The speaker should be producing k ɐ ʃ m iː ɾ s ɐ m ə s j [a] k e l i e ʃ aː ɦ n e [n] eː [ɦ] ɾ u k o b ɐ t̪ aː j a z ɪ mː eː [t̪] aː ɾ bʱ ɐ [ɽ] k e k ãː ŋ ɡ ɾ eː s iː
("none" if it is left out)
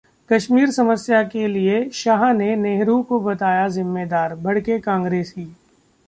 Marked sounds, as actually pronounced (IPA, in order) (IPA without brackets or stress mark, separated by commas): a, n, ɦ, d̪, ɽ